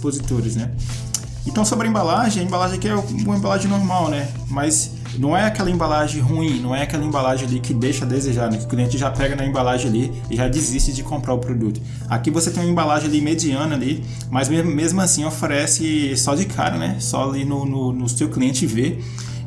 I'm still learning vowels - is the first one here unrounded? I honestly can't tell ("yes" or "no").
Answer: no